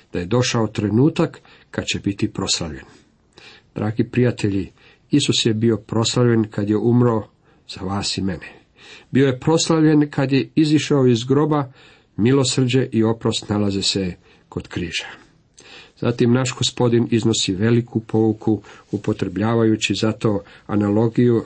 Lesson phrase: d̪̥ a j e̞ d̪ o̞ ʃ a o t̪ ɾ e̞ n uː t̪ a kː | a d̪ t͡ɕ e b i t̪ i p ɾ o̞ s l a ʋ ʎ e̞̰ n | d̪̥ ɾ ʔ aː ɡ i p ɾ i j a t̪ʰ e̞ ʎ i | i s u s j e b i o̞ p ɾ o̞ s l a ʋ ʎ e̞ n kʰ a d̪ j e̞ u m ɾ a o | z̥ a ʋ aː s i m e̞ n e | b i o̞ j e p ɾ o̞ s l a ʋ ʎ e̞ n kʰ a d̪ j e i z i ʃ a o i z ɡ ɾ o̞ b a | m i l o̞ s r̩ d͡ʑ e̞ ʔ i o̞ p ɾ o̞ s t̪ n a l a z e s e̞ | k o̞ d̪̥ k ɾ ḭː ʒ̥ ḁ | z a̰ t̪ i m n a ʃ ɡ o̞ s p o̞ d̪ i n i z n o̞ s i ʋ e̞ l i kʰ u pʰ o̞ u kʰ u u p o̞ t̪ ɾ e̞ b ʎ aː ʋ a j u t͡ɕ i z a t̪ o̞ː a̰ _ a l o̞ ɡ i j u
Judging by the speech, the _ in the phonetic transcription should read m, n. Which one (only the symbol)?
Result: n